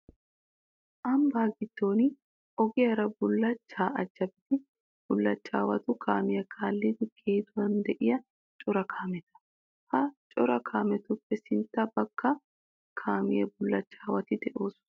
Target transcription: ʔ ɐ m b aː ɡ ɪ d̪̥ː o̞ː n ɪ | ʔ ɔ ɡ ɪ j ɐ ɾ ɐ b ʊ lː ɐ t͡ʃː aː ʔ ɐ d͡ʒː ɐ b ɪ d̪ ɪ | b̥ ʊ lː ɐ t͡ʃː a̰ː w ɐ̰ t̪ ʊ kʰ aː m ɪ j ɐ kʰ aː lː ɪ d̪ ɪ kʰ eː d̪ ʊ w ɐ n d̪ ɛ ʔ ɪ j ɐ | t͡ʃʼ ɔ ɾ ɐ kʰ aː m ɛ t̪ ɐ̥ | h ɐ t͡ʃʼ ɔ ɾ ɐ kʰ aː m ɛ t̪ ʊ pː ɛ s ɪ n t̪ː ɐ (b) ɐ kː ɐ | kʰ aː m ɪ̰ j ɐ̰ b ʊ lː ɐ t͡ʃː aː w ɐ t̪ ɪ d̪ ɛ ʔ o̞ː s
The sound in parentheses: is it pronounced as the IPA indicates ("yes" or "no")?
yes